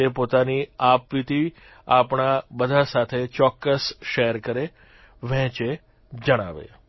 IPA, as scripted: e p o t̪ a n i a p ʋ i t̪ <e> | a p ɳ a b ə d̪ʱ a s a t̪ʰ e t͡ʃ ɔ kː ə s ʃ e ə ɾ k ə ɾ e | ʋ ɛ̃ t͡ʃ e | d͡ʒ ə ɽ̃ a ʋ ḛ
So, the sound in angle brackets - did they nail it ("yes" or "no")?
no